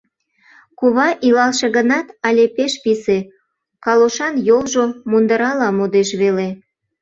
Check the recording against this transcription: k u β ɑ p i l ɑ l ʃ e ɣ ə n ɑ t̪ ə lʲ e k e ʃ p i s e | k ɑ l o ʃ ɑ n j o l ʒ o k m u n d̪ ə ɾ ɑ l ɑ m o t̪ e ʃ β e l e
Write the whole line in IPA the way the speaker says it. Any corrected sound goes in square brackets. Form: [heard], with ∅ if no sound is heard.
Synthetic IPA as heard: k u β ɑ [ʔ] i l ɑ l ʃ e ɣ ə n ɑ t̪ [ɑ] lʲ e [p] e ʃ p i s e | k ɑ l o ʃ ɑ n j o l ʒ o [∅] m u n d̪ ə ɾ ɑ l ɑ m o [d̪] e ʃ β e l e